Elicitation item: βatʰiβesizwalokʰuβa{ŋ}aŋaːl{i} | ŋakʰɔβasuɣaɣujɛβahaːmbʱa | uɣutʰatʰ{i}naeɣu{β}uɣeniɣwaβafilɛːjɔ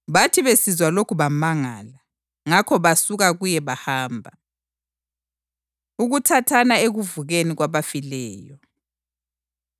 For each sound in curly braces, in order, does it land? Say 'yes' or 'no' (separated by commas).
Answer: no, no, no, no